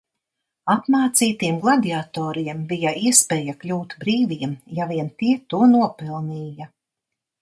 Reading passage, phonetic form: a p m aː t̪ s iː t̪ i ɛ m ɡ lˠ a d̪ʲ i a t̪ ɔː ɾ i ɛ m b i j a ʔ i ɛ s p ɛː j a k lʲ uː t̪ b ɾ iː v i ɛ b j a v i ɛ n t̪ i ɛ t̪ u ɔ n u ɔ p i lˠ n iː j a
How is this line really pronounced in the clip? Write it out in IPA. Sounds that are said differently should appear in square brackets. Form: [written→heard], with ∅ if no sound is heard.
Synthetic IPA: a p m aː t̪ s iː t̪ i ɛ m ɡ lˠ a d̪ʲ i a t̪ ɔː ɾ i ɛ m b i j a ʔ i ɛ s p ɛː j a k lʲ uː t̪ b ɾ iː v i ɛ [b→m] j a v i ɛ n t̪ i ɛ t̪ u ɔ n u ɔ p i lˠ n iː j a

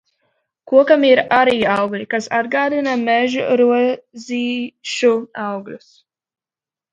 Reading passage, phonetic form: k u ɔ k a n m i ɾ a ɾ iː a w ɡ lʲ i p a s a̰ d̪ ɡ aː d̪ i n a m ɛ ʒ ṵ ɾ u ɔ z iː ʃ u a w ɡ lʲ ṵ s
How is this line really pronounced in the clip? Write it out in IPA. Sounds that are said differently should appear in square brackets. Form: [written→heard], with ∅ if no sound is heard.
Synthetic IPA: k u ɔ k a [n→∅] m i ɾ a ɾ iː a w ɡ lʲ i [p→k] a s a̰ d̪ ɡ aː d̪ i n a m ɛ ʒ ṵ ɾ u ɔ z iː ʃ u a w ɡ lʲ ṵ s

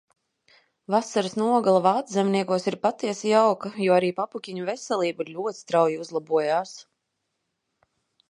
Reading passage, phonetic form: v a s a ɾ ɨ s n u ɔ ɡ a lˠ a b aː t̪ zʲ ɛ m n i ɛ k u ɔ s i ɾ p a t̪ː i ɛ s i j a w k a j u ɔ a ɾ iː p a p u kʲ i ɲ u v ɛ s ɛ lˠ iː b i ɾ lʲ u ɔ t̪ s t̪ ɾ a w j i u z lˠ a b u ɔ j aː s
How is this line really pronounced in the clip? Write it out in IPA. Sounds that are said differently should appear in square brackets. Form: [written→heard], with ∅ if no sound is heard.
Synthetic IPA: v a s a ɾ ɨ s n u ɔ ɡ a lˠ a [b→v] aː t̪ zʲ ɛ m n i ɛ k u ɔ s i ɾ p a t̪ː i ɛ s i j a w k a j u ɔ a ɾ iː p a p u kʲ i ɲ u v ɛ s ɛ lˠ iː b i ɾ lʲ u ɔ t̪ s t̪ ɾ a w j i u z lˠ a b u ɔ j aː s

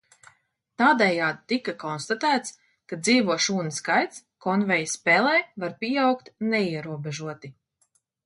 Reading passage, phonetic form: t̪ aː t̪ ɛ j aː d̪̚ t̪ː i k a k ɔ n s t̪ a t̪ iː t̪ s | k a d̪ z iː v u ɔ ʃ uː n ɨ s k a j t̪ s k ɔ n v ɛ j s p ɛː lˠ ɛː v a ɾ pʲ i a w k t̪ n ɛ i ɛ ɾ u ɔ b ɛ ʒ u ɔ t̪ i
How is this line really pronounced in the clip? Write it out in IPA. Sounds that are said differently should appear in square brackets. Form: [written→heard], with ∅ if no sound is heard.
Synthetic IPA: t̪ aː [t̪→d̪] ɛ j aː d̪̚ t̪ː i k a k ɔ n s t̪ a t̪ [iː→æː] t̪ s | k a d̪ z iː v u ɔ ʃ uː n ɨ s k a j t̪ s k ɔ n v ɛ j s p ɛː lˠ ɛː v a ɾ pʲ i a w k t̪ n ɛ i ɛ ɾ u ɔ b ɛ ʒ u ɔ t̪ i

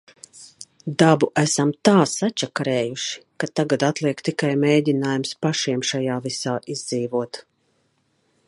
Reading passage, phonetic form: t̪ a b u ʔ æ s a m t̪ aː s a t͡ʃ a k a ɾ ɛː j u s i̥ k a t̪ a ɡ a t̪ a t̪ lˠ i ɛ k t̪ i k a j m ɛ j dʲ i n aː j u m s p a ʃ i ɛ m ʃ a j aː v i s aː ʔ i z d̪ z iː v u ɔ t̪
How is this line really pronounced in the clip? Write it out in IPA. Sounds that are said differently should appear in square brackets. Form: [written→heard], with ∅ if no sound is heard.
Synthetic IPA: [t̪→d̪] a b u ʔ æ s a m t̪ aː s a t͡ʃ a k a ɾ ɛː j u [s→ʃ] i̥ k a t̪ a ɡ a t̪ a t̪ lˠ i ɛ k t̪ i k a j m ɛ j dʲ i n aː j u m s p a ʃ i ɛ m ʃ a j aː v i s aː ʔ i z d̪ z iː v u ɔ t̪

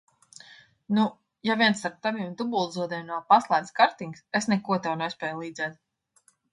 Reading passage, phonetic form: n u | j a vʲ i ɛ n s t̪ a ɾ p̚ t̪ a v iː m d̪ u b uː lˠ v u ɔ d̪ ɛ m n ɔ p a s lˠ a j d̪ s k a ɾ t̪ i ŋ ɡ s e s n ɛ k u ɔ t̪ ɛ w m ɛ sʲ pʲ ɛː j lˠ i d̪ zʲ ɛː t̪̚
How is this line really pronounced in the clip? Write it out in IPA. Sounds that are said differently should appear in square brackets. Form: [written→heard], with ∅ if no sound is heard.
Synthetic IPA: n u | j a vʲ i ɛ n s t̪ a ɾ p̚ t̪ a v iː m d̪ u b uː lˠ [v→z] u ɔ d̪ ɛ m n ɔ p a s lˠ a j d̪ s k a ɾ t̪ i ŋ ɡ s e s n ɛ k u ɔ t̪ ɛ w [m→n] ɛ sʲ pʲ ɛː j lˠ [i→iː] d̪ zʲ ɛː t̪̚

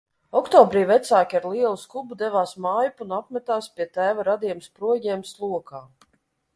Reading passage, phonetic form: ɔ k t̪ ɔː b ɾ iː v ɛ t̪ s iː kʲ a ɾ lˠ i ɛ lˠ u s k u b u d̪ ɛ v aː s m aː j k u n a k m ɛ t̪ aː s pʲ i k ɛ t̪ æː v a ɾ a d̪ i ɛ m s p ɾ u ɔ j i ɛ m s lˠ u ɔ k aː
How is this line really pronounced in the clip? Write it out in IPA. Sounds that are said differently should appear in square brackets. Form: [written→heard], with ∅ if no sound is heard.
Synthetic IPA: ɔ k t̪ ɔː b ɾ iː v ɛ t̪ s [iː→aː] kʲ a ɾ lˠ i ɛ lˠ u s k u b u d̪ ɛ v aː s m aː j [k→p] u n a [k→p] m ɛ t̪ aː s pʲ i [k→∅] ɛ t̪ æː v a ɾ a d̪ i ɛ m s p ɾ u ɔ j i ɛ m s lˠ u ɔ k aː

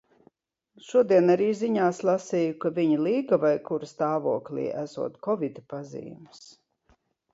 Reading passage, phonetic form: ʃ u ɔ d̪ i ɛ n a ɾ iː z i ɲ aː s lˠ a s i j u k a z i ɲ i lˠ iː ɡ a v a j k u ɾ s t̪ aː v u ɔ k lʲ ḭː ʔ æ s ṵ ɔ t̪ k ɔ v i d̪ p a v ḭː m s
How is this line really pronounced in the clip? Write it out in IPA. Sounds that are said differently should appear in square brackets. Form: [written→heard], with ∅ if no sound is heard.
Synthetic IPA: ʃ u ɔ d̪ i ɛ n a ɾ iː z i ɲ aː s lˠ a s i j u k a [z→v] i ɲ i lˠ iː ɡ a v a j k u ɾ s t̪ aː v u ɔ k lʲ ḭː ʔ æ s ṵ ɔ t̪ k ɔ v i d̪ p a [v→z] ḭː m s

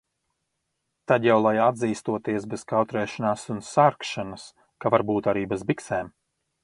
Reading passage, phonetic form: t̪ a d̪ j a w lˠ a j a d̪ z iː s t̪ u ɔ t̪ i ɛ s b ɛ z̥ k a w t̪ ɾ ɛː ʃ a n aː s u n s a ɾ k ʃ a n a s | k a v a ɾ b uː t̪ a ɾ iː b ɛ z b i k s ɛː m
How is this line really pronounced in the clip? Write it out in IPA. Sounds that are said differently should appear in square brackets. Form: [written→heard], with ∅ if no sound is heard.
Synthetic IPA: t̪ a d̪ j a w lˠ a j a d̪ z iː s t̪ u ɔ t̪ i ɛ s b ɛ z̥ k a w t̪ ɾ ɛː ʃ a n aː s u n s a ɾ k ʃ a n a s | k a v a ɾ b uː t̪ a ɾ iː b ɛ z b i k s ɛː m

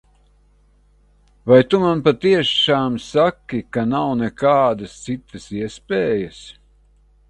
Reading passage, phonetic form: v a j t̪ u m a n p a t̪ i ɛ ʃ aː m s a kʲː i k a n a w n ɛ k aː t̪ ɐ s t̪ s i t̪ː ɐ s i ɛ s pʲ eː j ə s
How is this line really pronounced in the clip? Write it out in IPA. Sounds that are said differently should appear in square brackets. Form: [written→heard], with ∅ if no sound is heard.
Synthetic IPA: v a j t̪ u m a n p a t̪ i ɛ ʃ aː m s a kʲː i k a n a w n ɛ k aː [t̪→d̪] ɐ s t̪ s i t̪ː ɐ s i ɛ s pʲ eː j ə s

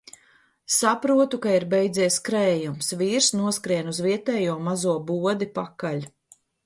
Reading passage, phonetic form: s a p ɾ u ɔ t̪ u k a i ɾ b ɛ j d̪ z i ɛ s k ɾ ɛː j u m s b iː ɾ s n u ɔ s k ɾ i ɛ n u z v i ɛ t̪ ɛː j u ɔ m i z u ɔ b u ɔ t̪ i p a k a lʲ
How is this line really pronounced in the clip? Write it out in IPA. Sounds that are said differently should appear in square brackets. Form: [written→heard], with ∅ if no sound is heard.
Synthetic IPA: s a p ɾ u ɔ t̪ u k a i ɾ b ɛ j d̪ z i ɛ s k ɾ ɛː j u m s [b→v] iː ɾ s n u ɔ s k ɾ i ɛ n u z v i ɛ t̪ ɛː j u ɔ m [i→a] z u ɔ b u ɔ [t̪→d̪] i p a k a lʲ

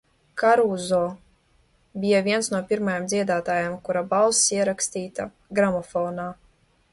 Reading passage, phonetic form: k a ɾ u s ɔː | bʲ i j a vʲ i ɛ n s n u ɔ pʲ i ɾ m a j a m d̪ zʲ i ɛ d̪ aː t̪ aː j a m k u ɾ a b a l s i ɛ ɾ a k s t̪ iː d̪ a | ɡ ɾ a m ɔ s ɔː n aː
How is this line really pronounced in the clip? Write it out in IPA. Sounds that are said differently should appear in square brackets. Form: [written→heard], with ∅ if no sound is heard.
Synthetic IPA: k a ɾ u [s→z] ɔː | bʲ i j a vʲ i ɛ n s n u ɔ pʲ i ɾ m a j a m d̪ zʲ i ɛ d̪ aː t̪ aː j a m k u ɾ a b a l s i ɛ ɾ a k s t̪ iː [d̪→t̪] a | ɡ ɾ a m ɔ [s→f] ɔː n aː

